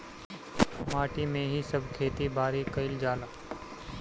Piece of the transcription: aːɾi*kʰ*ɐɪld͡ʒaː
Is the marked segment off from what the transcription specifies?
yes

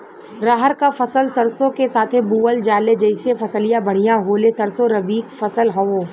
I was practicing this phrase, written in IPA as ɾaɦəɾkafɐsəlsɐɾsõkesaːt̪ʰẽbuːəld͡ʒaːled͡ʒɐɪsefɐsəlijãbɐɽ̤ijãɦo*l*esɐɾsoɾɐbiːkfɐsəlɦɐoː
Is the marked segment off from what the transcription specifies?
no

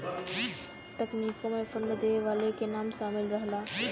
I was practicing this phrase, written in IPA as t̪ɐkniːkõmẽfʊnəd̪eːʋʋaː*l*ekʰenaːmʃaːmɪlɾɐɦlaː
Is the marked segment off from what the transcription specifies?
no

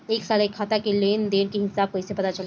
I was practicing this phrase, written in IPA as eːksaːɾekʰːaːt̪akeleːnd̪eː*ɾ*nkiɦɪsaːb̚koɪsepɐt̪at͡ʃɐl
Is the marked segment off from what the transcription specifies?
yes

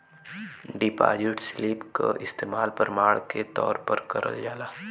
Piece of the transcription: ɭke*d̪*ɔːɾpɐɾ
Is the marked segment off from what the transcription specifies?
yes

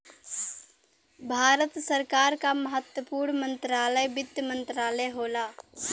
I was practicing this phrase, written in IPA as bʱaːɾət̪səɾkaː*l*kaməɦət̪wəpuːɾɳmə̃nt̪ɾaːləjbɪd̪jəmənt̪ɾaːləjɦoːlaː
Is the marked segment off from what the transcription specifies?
yes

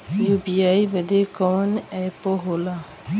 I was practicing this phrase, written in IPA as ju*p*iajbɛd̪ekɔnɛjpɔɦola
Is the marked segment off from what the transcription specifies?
yes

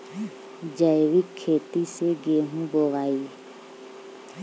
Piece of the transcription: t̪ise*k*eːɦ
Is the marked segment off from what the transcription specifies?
yes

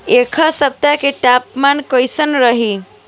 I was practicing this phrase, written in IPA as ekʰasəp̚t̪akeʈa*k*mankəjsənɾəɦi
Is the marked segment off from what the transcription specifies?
yes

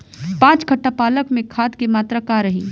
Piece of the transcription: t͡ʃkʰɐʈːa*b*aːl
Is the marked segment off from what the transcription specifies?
yes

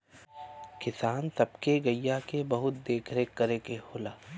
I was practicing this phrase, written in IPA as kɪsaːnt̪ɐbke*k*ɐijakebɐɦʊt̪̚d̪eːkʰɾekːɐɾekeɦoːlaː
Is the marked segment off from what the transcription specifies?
yes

